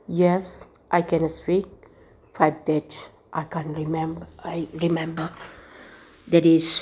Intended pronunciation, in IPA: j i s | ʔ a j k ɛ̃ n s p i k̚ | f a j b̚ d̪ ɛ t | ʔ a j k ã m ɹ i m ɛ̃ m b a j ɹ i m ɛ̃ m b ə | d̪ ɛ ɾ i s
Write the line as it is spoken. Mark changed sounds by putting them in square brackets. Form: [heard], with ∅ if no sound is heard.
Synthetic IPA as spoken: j [ɛ] s | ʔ a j k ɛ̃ n s p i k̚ | f a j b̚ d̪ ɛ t | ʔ a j k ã [n] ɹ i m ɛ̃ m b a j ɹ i m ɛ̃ m b ə | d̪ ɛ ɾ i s

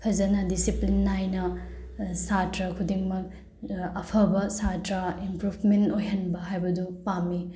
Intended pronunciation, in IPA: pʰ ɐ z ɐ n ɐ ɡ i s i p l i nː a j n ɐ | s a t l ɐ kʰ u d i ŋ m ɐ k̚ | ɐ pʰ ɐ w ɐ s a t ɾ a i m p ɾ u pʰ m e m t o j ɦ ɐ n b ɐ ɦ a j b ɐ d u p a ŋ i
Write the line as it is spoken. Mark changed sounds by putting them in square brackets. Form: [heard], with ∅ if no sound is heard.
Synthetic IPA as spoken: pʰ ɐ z ɐ n ɐ [d] i s i p l i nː a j n ɐ | s a t [ɾ] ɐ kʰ u d i ŋ m ɐ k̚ | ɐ pʰ ɐ [b] ɐ s a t ɾ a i m p ɾ u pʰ m e [n] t o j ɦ ɐ n b ɐ ɦ a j b ɐ d u p a [m] i

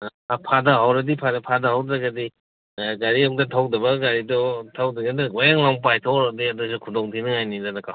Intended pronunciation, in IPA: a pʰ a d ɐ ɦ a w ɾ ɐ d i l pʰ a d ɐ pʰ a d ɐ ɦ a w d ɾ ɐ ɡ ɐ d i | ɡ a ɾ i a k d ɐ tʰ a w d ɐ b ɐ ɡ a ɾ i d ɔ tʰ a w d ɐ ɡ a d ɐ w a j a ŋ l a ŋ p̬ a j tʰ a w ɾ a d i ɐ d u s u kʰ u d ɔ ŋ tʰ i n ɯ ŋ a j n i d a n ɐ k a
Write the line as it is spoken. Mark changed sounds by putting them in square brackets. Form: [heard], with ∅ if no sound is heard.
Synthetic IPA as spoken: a pʰ a d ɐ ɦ a w ɾ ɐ d i [∅] pʰ a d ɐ pʰ a d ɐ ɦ a w d ɾ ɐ ɡ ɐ d i | ɡ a ɾ i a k d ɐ tʰ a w d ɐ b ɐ ɡ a ɾ i d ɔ tʰ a w d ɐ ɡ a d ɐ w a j a ŋ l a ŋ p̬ a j tʰ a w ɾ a d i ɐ d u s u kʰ u d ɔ ŋ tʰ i n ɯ ŋ a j n i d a n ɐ k a

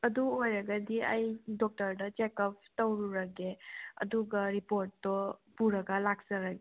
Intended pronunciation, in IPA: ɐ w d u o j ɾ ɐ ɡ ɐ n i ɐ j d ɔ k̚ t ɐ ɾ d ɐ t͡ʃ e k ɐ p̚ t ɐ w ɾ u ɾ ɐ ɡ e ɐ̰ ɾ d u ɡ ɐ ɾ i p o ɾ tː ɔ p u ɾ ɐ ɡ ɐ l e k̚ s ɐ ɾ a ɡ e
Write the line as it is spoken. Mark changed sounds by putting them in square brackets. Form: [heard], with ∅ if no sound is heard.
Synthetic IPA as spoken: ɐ [∅] d u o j ɾ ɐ ɡ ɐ [d] i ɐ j d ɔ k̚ t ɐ ɾ d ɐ t͡ʃ e k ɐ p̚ t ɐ w ɾ u ɾ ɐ ɡ e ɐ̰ [∅] d u ɡ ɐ ɾ i p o ɾ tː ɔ p u ɾ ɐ ɡ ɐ l [a] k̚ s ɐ ɾ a ɡ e

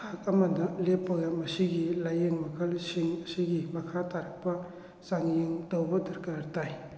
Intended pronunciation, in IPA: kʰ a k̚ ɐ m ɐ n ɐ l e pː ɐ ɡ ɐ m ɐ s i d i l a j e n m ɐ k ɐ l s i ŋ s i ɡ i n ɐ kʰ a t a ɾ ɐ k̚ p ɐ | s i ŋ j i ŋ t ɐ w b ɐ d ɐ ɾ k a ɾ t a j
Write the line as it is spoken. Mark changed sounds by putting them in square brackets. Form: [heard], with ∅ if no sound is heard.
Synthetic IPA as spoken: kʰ a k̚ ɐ m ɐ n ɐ l e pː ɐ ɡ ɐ m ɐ s i [ɡ] i l a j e [ŋ] m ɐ [kʰ] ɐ l s i ŋ s i ɡ i [m] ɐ kʰ a t a ɾ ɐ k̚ p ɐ | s [a] ŋ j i ŋ t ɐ w b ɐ d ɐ ɾ k a ɾ t a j

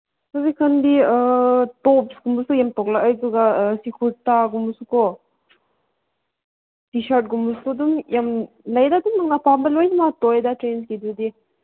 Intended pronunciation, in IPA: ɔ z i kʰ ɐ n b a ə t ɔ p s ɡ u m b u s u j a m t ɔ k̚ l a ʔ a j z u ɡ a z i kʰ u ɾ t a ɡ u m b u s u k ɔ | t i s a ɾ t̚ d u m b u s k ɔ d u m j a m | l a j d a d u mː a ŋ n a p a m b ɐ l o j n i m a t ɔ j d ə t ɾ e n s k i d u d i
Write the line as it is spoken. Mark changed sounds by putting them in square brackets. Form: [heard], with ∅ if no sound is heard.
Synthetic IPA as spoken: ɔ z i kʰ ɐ n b [i] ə t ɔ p s ɡ u m b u s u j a m t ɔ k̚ l a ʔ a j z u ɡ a [s] i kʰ u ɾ t a ɡ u m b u s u k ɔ | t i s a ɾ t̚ [ɡ] u m b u s k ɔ d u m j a m | l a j d a d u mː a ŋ n a p a m b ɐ l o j n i m a t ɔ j d [a] t ɾ e n s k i d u d i

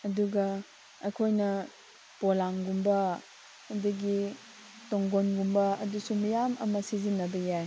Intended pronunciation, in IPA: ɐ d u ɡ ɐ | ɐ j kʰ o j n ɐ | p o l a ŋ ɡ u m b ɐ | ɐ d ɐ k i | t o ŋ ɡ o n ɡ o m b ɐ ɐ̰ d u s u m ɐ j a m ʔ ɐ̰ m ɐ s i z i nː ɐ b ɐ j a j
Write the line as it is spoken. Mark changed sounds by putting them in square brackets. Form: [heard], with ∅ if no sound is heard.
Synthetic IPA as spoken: ɐ d u ɡ ɐ | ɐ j kʰ o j n ɐ | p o l a ŋ ɡ u m b ɐ | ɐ d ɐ [ɡ] i | t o ŋ ɡ o n ɡ [u] m b ɐ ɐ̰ d u s u m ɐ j a m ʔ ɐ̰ m ɐ s i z i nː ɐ b ɐ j a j

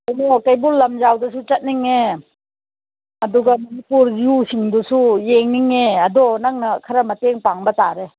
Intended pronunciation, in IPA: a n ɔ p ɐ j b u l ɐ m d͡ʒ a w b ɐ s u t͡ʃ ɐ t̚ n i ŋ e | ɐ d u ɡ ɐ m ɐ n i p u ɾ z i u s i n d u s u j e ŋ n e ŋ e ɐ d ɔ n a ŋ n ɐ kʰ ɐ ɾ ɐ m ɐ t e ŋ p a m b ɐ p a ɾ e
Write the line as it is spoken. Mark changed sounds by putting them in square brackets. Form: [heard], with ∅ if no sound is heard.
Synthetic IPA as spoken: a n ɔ [k] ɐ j b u l ɐ m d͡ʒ a w [d] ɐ s u t͡ʃ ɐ t̚ n i ŋ e | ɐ d u ɡ ɐ m ɐ n i p u ɾ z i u s i [ŋ] d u s u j e ŋ n [i] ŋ e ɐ d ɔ n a ŋ n ɐ kʰ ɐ ɾ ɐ m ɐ t e ŋ p a [ŋ] b ɐ [t] a ɾ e

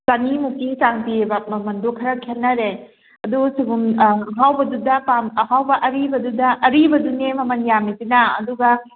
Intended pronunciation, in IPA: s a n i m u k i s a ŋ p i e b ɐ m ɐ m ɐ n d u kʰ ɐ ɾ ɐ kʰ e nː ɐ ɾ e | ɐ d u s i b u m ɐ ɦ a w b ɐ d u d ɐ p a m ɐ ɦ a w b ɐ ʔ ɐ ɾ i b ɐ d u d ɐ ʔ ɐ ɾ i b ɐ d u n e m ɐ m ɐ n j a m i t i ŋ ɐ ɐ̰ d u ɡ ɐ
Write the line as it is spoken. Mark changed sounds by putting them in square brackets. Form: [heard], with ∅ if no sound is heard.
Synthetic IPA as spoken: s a n i m u k i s a ŋ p i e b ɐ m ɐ m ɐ n d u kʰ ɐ ɾ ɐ kʰ e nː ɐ ɾ e | ɐ d u s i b u m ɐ ɦ a w b ɐ d u d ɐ p a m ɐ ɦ a w b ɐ ʔ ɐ ɾ i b ɐ d u d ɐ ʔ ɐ ɾ i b ɐ d u n e m ɐ m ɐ n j a m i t i [n] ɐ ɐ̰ d u ɡ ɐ

